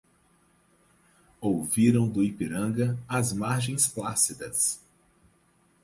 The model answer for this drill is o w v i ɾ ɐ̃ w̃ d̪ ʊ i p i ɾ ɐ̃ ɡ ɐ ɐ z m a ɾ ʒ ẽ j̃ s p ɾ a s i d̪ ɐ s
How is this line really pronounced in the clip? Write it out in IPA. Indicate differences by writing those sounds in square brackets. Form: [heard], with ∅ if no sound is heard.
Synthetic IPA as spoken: o w v i ɾ ɐ̃ w̃ d̪ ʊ i p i ɾ ɐ̃ ɡ ɐ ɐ z m a ɾ ʒ ẽ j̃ s p [l] a s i d̪ ɐ s